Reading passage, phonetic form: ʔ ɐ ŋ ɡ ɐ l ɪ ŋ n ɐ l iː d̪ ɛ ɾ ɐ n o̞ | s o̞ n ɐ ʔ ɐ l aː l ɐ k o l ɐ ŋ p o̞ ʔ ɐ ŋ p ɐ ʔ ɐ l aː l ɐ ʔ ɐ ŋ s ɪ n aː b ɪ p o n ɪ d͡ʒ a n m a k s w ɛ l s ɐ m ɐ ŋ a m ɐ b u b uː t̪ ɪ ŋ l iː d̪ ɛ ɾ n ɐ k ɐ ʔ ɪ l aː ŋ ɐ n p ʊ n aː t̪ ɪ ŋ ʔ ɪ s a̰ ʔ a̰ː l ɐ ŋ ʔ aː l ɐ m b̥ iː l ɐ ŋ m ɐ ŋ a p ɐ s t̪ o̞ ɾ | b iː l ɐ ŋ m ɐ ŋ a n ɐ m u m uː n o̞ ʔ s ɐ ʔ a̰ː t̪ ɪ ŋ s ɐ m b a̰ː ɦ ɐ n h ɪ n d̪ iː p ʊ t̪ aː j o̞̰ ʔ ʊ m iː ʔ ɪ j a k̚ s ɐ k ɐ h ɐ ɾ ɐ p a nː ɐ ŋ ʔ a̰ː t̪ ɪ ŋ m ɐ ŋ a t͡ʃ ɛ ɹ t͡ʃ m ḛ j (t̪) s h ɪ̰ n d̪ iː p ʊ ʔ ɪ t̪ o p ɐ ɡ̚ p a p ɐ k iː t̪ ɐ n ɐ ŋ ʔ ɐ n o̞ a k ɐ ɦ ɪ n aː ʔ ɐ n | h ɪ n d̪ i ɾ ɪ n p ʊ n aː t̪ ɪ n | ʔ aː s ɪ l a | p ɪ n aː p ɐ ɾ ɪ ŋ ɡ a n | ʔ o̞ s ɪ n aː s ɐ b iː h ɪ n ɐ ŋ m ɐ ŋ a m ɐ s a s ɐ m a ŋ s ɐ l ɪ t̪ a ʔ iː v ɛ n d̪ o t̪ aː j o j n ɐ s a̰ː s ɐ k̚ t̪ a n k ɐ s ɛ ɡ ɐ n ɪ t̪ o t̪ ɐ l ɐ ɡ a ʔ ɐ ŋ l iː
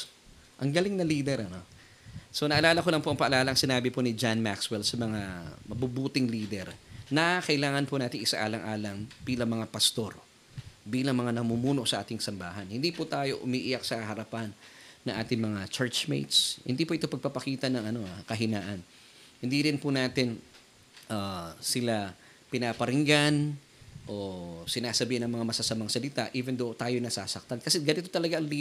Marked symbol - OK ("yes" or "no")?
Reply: yes